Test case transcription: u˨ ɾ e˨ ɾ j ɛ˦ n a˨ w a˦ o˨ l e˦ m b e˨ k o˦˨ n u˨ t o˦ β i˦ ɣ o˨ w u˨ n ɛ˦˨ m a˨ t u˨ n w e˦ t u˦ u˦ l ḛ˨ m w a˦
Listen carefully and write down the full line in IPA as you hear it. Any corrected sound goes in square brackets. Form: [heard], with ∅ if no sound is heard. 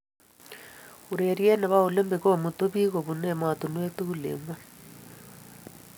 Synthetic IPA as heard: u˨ ɾ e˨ ɾ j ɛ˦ n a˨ [β] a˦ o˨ l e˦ m b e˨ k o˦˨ [m] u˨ t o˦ β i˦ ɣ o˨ [β] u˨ n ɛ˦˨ m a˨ t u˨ n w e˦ t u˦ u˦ l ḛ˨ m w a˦